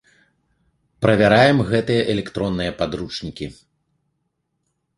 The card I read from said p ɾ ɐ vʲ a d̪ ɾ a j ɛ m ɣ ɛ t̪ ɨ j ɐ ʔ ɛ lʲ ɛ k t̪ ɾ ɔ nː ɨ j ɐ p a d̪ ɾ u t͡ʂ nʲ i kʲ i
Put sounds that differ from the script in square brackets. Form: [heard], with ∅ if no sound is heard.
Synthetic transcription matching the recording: p ɾ ɐ vʲ a [∅] ɾ a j ɛ m ɣ ɛ t̪ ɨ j ɐ ʔ ɛ lʲ ɛ k t̪ ɾ ɔ nː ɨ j ɐ p a d̪ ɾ u t͡ʂ nʲ i kʲ i